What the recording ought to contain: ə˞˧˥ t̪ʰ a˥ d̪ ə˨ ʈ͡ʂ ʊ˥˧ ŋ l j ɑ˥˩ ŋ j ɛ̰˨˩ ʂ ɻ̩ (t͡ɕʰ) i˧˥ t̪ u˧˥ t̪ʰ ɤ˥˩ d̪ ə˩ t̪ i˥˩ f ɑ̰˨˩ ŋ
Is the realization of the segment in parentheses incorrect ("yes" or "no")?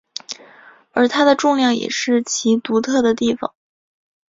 no